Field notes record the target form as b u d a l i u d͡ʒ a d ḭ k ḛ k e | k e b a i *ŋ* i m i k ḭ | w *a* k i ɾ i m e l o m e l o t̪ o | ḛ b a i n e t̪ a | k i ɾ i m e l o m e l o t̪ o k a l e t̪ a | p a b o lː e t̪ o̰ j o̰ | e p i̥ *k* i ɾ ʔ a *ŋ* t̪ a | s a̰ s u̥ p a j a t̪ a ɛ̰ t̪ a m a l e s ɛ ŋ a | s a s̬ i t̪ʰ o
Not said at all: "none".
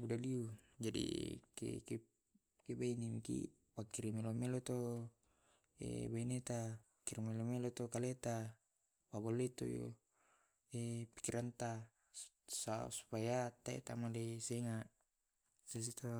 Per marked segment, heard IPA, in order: n, a, k, n

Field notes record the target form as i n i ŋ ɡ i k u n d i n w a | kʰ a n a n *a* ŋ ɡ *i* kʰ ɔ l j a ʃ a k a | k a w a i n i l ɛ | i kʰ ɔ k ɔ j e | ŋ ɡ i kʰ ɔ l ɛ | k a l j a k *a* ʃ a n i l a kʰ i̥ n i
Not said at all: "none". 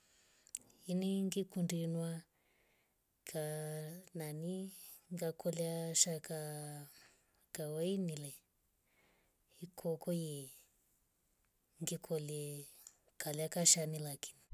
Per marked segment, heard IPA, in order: i, a, a

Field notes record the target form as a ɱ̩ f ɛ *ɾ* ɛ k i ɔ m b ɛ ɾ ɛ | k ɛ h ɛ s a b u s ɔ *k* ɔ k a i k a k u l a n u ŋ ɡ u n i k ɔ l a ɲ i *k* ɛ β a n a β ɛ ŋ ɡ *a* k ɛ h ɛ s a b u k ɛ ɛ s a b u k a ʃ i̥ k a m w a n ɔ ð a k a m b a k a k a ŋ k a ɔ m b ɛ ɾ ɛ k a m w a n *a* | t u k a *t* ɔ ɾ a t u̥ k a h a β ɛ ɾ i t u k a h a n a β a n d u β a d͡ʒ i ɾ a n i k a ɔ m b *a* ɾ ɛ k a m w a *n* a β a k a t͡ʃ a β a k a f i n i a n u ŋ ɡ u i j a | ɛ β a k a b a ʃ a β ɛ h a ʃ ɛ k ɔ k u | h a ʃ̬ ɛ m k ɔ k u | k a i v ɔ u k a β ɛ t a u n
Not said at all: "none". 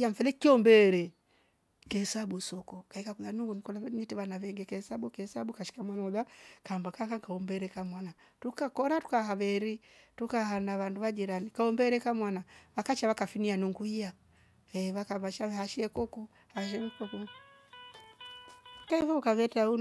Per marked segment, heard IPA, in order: l, k, t, ɛ, a, k, ɛ, n

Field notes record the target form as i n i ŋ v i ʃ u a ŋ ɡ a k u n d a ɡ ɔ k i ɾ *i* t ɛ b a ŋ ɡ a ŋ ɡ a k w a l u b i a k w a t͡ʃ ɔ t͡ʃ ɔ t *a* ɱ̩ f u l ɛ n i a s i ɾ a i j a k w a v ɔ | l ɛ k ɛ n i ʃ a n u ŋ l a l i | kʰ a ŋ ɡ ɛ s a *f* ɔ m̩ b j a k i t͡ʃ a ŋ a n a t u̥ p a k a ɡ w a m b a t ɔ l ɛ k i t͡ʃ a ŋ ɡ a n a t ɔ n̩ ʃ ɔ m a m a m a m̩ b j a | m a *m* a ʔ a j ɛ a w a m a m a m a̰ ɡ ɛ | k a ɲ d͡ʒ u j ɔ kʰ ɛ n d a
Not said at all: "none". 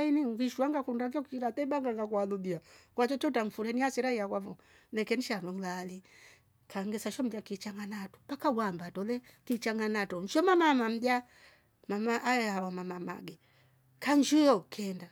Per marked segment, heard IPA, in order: a, a, ʃ, m

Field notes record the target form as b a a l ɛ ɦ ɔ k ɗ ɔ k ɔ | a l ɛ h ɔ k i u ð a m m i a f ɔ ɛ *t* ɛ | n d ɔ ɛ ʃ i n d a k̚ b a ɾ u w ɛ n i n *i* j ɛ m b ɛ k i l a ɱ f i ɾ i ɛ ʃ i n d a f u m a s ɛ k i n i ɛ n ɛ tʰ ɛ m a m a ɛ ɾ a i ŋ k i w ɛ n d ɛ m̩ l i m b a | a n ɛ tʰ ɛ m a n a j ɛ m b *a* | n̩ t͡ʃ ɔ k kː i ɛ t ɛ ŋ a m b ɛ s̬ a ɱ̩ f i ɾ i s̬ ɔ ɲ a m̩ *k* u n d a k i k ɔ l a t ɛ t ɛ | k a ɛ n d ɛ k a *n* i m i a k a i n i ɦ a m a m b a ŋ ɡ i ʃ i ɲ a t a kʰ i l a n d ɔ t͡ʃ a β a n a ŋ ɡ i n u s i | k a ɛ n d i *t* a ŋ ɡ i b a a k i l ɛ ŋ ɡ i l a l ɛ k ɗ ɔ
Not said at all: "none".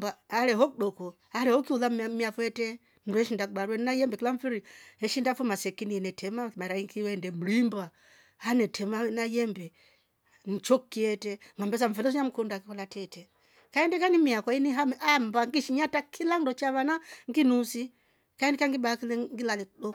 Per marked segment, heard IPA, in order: t, a, ɛ, k, n, k

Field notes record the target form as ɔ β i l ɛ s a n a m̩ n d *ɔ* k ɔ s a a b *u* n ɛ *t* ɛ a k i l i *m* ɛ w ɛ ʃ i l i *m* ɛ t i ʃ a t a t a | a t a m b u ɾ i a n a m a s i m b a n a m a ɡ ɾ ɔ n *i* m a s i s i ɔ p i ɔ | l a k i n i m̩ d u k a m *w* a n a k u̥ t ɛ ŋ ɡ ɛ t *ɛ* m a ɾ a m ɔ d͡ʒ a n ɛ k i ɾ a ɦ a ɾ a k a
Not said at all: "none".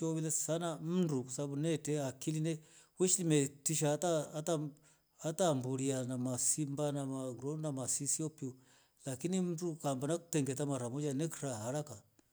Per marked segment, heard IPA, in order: u, u, t, n, m, a, b, a

